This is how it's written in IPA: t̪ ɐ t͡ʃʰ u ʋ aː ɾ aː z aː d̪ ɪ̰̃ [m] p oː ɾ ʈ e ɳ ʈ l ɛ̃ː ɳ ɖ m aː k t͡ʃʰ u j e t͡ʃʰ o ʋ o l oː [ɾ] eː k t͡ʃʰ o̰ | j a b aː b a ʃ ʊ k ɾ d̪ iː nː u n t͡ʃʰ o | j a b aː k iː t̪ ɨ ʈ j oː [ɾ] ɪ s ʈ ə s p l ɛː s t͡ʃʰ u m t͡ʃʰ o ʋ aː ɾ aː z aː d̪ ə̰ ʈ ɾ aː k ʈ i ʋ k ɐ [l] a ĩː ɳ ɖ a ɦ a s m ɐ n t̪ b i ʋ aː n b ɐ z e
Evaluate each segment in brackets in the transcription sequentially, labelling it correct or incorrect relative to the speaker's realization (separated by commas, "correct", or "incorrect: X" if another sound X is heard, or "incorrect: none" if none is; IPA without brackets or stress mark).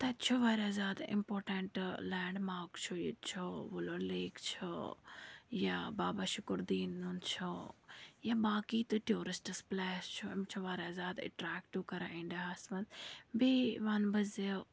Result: correct, incorrect: l, correct, incorrect: ɾ